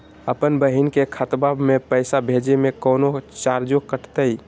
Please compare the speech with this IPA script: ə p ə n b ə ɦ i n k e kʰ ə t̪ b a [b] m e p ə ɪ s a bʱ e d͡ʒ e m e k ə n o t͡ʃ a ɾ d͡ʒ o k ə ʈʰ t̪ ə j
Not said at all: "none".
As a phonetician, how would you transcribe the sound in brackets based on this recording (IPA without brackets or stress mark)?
b